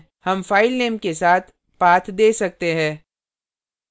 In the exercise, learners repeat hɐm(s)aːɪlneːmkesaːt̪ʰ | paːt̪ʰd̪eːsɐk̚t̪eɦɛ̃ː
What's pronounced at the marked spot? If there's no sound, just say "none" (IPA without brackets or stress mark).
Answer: f